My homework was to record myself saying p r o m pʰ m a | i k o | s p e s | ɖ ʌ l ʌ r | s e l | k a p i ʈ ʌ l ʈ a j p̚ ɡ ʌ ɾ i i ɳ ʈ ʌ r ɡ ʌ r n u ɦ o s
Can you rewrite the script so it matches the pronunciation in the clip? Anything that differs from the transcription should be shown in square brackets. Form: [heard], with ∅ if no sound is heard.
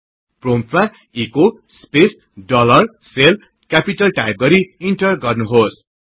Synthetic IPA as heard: p r o m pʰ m a | i k o | s p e s | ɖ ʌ l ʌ r | s e l | k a p i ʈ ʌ l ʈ a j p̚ ɡ ʌ ɾ i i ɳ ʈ ʌ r ɡ ʌ r n u ɦ o s